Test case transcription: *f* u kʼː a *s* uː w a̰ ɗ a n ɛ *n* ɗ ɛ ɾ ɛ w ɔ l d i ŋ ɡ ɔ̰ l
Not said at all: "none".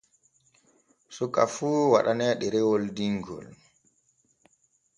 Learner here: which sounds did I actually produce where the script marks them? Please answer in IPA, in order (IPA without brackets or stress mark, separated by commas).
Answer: s, f, none